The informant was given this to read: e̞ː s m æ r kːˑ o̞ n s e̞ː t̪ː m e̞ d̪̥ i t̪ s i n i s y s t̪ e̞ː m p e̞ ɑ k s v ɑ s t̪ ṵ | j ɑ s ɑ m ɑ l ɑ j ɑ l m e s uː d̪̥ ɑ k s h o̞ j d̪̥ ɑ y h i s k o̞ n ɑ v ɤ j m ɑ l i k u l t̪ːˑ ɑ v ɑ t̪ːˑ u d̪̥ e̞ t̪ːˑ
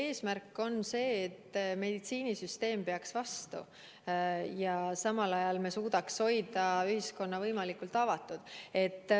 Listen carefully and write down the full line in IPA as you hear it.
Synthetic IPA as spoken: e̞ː s m æ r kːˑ o̞ n s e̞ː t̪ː m e̞ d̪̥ i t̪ s iː n i s y s t̪ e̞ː m p e̞ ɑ k s v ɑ s t̪ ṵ | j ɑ s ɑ m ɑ l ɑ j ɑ l m e s uː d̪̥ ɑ k s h o̞ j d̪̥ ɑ y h i s k o̞ nː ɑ v ɤ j m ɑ l i k u l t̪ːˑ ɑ v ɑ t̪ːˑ u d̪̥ e̞ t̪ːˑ